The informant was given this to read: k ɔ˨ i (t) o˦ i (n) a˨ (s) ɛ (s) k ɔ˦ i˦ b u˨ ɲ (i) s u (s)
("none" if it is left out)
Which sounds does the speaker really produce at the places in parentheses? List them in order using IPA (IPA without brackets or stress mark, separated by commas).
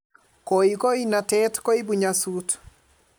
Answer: k, n, t, t, a, t